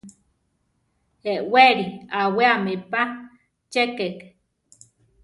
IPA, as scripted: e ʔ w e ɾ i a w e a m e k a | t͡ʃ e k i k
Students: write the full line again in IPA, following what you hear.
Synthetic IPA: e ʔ w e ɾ i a w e a m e p a | t͡ʃ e k e k